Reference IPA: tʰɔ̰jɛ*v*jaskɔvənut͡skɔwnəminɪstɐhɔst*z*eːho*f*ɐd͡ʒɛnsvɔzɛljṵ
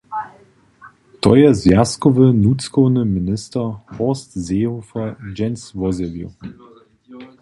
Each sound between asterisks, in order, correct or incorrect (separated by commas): incorrect, correct, correct